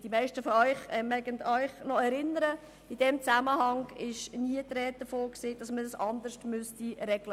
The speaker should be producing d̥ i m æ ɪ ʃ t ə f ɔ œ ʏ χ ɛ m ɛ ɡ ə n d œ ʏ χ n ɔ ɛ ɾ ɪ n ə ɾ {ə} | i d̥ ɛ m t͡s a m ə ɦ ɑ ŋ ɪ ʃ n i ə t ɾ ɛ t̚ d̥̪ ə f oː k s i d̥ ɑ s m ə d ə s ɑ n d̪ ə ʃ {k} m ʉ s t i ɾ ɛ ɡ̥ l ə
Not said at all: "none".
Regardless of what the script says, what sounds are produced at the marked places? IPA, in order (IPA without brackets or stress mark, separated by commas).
ə, t